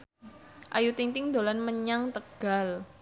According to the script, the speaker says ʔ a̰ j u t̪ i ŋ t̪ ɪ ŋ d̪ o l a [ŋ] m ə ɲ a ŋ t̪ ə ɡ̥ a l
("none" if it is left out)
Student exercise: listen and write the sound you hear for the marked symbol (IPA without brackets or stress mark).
n